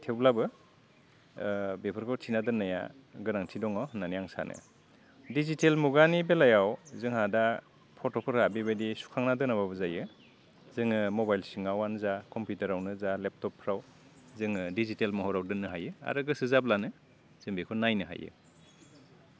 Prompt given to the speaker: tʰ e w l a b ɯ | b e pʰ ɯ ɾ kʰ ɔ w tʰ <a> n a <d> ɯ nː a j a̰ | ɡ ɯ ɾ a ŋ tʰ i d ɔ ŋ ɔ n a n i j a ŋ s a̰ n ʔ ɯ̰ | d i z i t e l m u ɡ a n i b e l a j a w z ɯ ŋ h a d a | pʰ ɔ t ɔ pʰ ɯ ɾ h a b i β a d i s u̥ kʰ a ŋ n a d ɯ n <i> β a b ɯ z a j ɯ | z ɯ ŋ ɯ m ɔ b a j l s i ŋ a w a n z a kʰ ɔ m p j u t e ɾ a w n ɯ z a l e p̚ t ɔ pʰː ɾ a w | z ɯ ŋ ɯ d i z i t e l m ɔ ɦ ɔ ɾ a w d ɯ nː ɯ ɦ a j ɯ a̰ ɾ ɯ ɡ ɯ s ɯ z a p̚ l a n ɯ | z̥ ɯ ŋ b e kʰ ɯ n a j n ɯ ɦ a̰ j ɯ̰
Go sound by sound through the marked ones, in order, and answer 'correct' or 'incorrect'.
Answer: incorrect: i, correct, incorrect: a

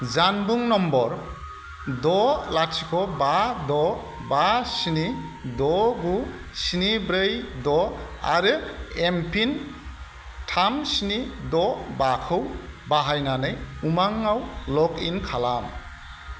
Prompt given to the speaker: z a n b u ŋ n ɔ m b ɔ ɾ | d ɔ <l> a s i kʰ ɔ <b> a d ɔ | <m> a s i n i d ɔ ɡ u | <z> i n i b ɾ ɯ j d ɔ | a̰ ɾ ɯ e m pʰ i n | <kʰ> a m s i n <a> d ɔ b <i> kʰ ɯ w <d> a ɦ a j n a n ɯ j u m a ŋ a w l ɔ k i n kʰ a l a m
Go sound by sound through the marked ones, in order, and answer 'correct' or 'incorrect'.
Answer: correct, correct, incorrect: b, incorrect: s, incorrect: tʰ, incorrect: i, incorrect: a, incorrect: b

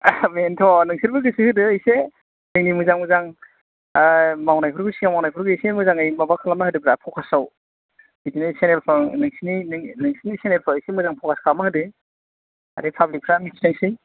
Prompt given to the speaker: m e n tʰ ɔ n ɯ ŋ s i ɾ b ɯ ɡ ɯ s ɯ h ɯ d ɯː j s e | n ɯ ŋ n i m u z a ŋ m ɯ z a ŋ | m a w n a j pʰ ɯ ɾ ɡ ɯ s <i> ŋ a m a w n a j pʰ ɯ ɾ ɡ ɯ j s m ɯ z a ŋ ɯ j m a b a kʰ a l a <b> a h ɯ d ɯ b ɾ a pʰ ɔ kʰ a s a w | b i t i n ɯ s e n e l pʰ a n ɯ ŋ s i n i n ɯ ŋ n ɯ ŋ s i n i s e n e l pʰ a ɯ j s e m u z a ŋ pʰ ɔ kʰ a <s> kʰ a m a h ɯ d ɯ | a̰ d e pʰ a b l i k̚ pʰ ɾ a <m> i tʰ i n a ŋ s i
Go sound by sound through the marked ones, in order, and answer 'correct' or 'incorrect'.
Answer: correct, incorrect: m, correct, correct

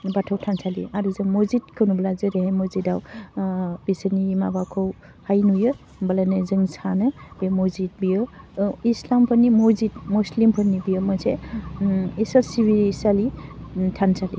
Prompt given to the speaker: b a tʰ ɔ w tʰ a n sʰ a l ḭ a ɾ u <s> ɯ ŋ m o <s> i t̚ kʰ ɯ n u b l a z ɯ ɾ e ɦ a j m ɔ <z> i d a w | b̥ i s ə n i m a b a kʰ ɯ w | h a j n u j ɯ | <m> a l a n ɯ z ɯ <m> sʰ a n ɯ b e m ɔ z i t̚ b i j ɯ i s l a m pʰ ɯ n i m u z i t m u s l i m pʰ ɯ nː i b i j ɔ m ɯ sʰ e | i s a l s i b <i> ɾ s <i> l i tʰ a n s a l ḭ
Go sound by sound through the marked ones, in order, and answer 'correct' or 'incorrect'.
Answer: incorrect: z, incorrect: z, correct, incorrect: b, incorrect: ŋ, correct, incorrect: a

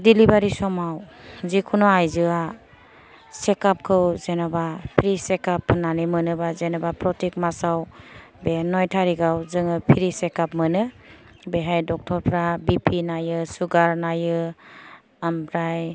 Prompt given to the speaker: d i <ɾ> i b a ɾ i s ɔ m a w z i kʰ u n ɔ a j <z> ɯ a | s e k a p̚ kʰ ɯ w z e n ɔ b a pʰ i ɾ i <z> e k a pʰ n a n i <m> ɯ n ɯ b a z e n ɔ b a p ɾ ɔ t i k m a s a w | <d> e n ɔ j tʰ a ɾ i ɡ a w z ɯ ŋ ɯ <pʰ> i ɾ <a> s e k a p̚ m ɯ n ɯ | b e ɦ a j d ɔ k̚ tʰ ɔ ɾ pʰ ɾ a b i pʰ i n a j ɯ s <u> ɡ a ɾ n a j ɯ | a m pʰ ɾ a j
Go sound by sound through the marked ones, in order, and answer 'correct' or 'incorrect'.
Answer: incorrect: l, correct, incorrect: s, correct, incorrect: b, correct, incorrect: i, correct

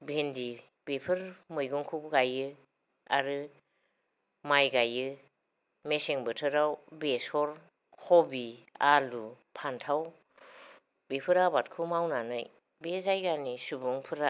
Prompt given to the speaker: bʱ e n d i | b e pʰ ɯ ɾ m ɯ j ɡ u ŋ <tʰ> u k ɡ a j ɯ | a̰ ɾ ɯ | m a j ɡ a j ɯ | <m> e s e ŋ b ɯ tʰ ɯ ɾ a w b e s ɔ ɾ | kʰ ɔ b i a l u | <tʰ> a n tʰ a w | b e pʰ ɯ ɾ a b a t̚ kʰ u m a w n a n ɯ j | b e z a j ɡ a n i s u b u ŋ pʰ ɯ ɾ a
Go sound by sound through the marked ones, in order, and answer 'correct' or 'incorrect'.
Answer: incorrect: kʰ, correct, incorrect: pʰ

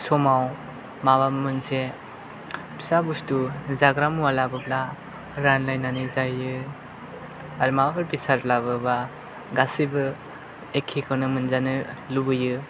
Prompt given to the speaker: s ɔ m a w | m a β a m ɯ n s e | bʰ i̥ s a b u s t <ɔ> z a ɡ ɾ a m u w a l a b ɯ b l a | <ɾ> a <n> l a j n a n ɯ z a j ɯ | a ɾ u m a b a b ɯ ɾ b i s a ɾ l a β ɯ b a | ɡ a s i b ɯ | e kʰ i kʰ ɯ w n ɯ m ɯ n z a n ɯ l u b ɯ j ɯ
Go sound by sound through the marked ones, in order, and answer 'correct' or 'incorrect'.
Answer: incorrect: u, correct, correct

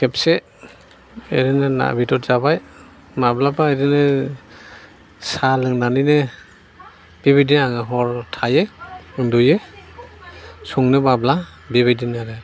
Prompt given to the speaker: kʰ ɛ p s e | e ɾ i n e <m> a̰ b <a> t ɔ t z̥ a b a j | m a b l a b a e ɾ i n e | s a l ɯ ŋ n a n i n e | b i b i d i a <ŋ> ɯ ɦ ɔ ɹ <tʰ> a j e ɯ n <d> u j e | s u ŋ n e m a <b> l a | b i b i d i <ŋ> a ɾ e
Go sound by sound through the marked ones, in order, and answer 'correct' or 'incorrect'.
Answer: incorrect: n, incorrect: i, correct, correct, correct, correct, incorrect: n

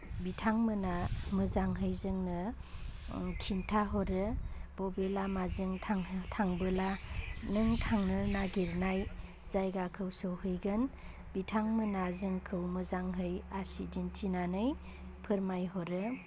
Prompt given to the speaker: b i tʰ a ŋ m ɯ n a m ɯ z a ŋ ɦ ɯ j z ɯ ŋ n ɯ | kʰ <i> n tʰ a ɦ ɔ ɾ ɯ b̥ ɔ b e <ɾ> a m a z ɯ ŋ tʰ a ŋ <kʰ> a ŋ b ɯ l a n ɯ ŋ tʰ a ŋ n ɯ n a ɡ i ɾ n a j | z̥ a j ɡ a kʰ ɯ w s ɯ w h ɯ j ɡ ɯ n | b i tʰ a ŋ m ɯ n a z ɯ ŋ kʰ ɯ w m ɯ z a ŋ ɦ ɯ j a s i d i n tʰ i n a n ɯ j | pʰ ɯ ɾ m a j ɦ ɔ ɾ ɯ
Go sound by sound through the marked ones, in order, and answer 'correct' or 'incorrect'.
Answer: correct, incorrect: l, incorrect: tʰ

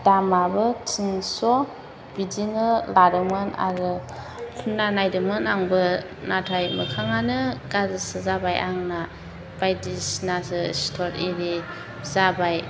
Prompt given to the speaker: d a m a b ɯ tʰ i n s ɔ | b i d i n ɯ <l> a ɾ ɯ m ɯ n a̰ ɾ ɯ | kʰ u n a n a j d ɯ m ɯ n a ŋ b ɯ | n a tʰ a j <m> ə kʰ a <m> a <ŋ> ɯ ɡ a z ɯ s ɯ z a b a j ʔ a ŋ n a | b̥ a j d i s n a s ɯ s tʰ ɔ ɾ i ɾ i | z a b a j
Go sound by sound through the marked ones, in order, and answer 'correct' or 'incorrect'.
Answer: correct, correct, incorrect: ŋ, incorrect: n

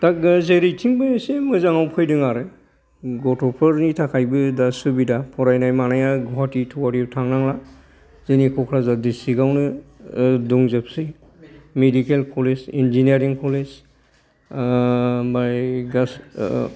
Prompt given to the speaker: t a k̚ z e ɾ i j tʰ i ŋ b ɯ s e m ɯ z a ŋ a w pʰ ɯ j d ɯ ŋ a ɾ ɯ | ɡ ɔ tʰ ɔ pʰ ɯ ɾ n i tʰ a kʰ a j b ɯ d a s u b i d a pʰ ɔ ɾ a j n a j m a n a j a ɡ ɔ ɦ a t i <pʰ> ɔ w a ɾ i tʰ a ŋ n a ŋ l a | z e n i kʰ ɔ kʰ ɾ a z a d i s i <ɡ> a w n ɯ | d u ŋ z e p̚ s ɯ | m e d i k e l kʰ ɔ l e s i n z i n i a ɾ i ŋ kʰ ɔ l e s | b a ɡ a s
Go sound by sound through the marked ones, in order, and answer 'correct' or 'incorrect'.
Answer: incorrect: tʰ, correct

